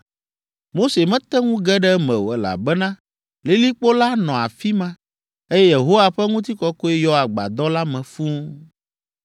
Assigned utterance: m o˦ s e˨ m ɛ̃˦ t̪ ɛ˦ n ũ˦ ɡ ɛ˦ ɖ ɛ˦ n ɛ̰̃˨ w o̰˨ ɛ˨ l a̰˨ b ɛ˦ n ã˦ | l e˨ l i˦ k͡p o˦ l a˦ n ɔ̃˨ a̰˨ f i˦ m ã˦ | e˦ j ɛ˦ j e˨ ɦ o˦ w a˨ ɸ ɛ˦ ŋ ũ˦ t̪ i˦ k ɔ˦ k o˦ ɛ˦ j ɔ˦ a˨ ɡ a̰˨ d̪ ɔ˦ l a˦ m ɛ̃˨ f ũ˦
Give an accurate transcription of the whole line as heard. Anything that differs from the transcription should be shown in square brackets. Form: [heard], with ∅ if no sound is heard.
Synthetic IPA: m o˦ s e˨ m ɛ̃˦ t̪ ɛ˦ [ŋ] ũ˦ ɡ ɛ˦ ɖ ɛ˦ [m] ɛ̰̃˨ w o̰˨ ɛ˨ l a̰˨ b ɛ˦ n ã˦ | l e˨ l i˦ k͡p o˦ l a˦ n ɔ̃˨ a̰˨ f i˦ m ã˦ | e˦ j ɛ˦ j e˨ ɦ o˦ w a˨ ɸ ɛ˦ ŋ ũ˦ t̪ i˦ k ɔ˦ k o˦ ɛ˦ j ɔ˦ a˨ [ɡ͡b] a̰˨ d̪ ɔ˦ l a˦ m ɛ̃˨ f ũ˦